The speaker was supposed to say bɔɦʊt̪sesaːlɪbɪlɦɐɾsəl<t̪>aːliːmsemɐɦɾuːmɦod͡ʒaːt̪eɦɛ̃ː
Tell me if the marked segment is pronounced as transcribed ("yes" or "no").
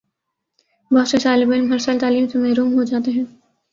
yes